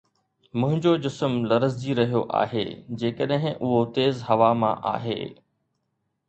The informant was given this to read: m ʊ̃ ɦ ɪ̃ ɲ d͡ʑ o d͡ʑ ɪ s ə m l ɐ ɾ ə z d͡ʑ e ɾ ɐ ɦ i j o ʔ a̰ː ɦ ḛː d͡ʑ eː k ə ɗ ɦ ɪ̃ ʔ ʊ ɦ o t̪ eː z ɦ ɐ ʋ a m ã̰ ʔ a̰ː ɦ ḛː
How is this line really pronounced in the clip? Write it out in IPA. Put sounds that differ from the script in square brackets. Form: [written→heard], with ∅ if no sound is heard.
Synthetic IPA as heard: m ʊ̃ ɦ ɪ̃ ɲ d͡ʑ o d͡ʑ ɪ s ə m l ɐ ɾ ə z d͡ʑ [e→i] ɾ ɐ ɦ i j o ʔ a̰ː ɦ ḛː d͡ʑ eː k ə ɗ ɦ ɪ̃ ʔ ʊ ɦ o t̪ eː z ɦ ɐ ʋ a m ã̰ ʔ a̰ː ɦ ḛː

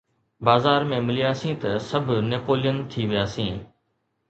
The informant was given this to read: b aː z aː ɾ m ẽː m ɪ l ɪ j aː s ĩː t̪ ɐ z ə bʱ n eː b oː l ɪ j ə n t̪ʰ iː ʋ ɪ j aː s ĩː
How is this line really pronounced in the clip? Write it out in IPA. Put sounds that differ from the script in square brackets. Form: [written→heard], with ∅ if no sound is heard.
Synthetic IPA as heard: b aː z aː ɾ m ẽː m ɪ l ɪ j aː s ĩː t̪ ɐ [z→s] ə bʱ n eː [b→p] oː l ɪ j ə n t̪ʰ iː ʋ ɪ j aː s ĩː

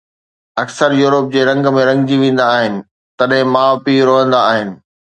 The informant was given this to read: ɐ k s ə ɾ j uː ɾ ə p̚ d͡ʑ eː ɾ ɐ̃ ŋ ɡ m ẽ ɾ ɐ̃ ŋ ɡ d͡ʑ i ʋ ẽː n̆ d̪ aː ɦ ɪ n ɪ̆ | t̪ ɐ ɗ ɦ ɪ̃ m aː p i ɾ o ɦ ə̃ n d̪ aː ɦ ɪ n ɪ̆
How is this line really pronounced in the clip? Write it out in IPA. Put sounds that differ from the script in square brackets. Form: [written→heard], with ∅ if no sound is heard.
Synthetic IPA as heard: ɐ k s ə ɾ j uː ɾ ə p̚ d͡ʑ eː ɾ ɐ̃ ŋ ɡ m ẽ ɾ ɐ̃ ŋ ɡ d͡ʑ i ʋ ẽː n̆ d̪ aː ɦ ɪ n ɪ̆ | t̪ ɐ ɗ ɦ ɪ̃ m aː p i ɾ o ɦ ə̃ n d̪ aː ɦ ɪ n ɪ̆

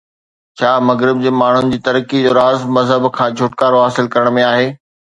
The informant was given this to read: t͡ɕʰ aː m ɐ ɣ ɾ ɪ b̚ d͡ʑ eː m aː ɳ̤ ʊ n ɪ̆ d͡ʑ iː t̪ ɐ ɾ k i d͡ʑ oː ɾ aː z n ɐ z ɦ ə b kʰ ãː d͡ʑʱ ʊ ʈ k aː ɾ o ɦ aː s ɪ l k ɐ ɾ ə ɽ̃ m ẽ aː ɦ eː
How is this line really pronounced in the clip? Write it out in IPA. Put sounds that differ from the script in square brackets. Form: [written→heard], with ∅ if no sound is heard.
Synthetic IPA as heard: t͡ɕʰ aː m ɐ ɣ ɾ ɪ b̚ d͡ʑ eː m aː ɳ̤ ʊ n ɪ̆ d͡ʑ iː t̪ ɐ ɾ k i d͡ʑ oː ɾ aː z [n→m] ɐ z ɦ ə b kʰ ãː d͡ʑʱ ʊ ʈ k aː ɾ o ɦ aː s ɪ l k ɐ ɾ ə ɽ̃ m ẽ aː ɦ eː

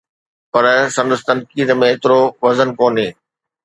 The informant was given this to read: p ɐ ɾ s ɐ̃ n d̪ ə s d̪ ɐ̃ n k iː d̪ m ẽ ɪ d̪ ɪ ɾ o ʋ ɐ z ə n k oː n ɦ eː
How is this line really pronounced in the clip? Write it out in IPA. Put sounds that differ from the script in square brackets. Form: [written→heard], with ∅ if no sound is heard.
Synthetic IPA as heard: p ɐ ɾ s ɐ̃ n d̪ ə s [d̪→t̪] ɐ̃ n k iː d̪ m ẽ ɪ [d̪→t̪] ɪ ɾ o ʋ ɐ z ə n k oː n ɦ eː

